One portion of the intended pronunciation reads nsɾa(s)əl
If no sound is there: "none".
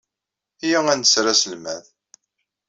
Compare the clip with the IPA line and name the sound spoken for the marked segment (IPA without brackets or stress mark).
s